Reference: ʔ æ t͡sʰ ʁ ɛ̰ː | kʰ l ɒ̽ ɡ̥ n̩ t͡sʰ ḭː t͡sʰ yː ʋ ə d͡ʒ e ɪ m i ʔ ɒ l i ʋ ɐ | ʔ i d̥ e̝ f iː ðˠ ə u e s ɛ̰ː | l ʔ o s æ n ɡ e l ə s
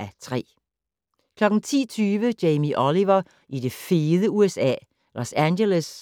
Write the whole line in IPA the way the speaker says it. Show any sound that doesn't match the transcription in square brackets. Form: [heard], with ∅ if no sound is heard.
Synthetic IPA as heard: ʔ æ t͡sʰ ʁ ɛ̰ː | kʰ l ɒ̽ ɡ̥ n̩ t͡sʰ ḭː t͡sʰ yː ʋ ə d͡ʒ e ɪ m i ʔ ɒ l i ʋ ɐ | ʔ i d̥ e̝ f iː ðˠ ə u e s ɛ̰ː | l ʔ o s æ n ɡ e l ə s